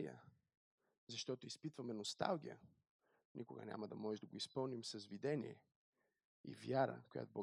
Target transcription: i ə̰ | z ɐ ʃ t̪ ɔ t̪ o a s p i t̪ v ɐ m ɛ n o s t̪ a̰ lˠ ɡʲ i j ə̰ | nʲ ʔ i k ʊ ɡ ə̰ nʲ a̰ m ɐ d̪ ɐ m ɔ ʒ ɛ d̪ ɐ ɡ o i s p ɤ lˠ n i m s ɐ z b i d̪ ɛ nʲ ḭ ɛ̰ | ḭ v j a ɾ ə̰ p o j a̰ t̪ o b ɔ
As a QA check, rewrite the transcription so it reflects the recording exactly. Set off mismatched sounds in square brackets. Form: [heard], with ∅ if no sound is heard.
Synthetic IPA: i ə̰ | z ɐ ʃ t̪ ɔ t̪ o [i] s p i t̪ v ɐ m ɛ n o s t̪ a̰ lˠ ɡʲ i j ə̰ | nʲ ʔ i k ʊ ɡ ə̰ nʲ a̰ m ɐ d̪ ɐ m ɔ ʒ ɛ d̪ ɐ ɡ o i s p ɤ lˠ n i m s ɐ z [v] i d̪ ɛ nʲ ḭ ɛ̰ | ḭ v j a ɾ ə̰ [k] o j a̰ t̪ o b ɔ